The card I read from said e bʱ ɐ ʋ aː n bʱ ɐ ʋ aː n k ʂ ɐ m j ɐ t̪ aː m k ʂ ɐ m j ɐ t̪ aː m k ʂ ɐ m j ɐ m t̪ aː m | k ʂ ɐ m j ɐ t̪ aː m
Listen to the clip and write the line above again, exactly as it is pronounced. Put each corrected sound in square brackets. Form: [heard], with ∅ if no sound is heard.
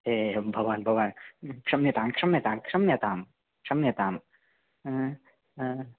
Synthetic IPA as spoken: e bʱ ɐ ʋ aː n bʱ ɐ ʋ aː n k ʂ ɐ m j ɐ t̪ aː m k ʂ ɐ m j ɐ t̪ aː m k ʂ ɐ m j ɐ [∅] t̪ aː m | k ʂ ɐ m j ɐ t̪ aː m